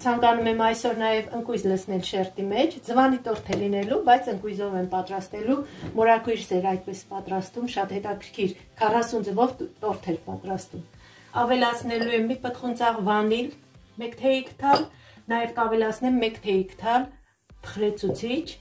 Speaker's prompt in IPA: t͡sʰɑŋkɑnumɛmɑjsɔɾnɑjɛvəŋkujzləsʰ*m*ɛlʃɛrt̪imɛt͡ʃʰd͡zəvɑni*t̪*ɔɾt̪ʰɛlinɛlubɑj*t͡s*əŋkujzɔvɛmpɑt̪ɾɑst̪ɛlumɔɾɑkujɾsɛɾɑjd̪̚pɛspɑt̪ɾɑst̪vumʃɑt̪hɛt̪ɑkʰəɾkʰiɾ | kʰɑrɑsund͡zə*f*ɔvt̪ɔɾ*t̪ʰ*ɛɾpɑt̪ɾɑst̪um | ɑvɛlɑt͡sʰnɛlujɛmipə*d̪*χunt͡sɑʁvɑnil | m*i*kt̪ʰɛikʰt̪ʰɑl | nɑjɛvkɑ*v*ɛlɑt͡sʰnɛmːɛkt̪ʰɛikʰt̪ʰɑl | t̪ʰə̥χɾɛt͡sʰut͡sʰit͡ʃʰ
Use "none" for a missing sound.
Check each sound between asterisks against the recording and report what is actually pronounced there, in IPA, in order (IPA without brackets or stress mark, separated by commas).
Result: n, t̪, t͡sʰ, v, t̪ʰ, t̪, ɛ, v